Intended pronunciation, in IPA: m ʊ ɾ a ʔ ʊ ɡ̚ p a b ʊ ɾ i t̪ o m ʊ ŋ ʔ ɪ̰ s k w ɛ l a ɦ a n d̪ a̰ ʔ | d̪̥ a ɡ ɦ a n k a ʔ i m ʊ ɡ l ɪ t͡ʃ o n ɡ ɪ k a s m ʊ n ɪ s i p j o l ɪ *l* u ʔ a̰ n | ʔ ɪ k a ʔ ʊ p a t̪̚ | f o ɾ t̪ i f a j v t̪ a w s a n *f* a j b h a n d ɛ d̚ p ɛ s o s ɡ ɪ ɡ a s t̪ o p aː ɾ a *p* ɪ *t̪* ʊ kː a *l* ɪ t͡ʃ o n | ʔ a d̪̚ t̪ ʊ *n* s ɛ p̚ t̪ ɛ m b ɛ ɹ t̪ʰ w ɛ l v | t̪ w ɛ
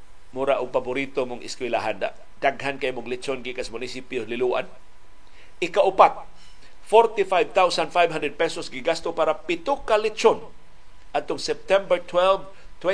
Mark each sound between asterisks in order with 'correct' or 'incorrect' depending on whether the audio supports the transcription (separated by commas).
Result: correct, correct, correct, correct, correct, incorrect